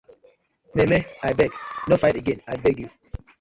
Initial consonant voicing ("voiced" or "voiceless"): voiced